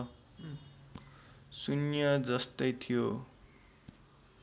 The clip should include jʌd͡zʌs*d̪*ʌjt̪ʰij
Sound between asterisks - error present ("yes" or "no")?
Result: yes